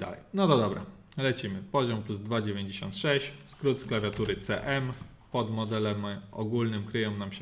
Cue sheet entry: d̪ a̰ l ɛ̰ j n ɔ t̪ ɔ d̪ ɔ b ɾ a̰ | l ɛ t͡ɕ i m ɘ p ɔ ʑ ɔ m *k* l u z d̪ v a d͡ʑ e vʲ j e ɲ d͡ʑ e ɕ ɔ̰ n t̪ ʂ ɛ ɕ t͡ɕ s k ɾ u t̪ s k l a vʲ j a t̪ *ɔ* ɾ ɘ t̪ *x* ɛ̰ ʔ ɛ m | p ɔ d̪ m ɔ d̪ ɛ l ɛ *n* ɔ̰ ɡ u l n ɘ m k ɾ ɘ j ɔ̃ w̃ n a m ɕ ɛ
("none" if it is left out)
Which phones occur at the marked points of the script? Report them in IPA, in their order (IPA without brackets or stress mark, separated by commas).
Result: p, u, s, m